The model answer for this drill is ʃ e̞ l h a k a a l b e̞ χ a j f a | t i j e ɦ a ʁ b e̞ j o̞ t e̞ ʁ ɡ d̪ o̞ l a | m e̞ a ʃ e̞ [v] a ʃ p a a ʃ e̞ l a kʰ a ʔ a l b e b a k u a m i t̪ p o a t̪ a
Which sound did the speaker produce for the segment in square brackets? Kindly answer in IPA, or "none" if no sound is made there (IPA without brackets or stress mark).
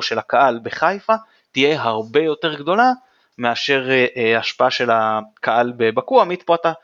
ʁ